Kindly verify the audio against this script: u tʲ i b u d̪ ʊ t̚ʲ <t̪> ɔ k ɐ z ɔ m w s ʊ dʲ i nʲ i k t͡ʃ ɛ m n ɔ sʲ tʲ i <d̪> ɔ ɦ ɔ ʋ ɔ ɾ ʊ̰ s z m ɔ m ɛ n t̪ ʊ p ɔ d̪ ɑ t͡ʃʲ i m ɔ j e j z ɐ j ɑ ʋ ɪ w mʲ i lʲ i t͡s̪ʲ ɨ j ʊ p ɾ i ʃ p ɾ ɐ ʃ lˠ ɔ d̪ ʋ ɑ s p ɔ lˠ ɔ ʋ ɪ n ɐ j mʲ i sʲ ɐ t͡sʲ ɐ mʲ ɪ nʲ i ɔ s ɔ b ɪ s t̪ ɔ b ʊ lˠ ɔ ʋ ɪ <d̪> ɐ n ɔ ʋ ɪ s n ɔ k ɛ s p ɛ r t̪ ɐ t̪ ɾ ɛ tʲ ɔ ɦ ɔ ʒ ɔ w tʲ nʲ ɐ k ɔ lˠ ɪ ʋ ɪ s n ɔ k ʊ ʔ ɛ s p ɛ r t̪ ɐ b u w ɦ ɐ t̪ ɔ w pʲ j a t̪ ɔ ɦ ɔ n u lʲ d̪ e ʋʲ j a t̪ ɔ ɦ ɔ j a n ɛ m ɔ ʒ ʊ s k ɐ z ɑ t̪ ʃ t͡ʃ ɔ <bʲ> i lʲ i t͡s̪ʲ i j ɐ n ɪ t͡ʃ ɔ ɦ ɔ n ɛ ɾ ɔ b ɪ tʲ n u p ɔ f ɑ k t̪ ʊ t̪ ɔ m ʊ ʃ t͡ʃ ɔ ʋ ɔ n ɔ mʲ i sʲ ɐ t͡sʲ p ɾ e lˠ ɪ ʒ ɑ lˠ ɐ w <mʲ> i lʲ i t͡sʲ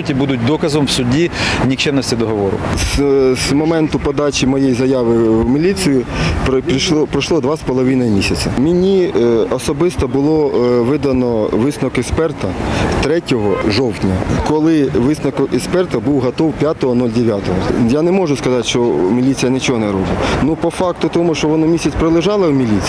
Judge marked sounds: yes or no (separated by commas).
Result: no, yes, yes, no, yes